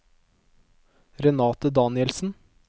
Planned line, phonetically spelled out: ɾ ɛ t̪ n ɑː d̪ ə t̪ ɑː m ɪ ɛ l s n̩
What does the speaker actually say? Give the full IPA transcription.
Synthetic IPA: ɾ ɛ n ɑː t̪ ə d̪ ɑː n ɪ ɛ l s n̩